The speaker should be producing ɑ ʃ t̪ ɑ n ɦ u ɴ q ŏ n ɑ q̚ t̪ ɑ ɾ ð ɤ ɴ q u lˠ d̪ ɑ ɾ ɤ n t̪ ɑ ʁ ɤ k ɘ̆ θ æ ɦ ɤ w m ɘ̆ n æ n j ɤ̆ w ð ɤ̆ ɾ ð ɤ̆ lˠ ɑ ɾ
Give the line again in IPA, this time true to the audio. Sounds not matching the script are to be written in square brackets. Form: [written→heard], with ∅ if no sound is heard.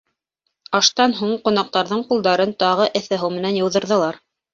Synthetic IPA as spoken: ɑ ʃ t̪ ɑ n ɦ u ɴ q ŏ n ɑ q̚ t̪ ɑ ɾ ð ɤ ɴ q u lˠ d̪ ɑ ɾ ɤ n t̪ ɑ ʁ ɤ [k→ʔ] ɘ̆ θ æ ɦ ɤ w m ɘ̆ n æ n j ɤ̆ w ð ɤ̆ ɾ ð ɤ̆ lˠ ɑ ɾ